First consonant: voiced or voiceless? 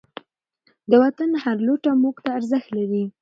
voiced